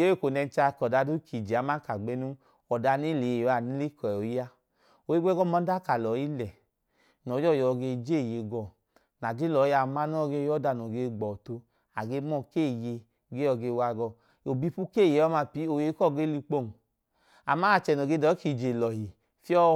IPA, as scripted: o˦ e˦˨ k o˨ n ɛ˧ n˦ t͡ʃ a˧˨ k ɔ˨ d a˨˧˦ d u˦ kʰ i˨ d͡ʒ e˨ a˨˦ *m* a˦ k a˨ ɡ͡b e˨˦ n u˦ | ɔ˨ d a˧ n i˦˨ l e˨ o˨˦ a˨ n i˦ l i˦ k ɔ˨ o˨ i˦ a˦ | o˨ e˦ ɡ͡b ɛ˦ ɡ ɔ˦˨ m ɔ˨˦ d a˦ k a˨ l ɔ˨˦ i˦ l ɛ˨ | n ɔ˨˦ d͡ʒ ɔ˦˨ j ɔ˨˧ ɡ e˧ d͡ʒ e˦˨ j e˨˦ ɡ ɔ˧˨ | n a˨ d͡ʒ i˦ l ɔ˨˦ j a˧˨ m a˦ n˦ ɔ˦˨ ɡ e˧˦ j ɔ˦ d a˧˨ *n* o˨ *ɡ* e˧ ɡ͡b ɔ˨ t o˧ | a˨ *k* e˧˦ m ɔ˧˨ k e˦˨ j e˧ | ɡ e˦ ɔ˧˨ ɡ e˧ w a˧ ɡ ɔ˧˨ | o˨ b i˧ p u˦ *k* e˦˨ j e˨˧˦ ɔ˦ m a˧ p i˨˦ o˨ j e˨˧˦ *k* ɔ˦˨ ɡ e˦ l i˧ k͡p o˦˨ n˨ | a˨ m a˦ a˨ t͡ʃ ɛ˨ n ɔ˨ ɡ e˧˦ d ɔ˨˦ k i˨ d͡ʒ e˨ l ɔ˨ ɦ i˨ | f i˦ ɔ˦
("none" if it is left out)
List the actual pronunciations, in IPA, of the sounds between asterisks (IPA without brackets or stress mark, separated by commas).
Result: m, n, ɡ, ɡ, k, k